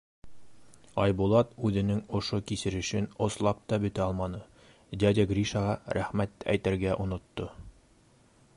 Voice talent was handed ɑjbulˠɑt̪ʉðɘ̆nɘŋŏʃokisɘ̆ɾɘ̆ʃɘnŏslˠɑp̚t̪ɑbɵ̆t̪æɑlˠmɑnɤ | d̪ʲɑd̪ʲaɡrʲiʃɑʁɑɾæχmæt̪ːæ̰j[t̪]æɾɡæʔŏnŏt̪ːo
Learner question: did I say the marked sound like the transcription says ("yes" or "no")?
yes